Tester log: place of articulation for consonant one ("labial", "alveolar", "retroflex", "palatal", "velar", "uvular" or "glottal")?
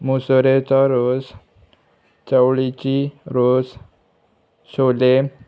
labial